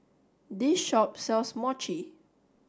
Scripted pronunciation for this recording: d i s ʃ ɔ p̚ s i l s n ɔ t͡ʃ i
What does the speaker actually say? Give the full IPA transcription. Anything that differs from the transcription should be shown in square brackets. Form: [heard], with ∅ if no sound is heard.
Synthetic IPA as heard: d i s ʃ ɔ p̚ s [ɛ] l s [m] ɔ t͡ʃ i